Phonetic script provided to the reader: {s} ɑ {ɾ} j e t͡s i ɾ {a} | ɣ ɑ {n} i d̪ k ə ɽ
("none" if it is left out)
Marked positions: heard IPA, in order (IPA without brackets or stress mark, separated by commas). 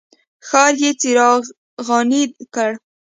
x, ɾ, ɑ, n